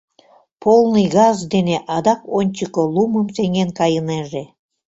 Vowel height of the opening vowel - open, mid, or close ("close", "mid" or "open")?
mid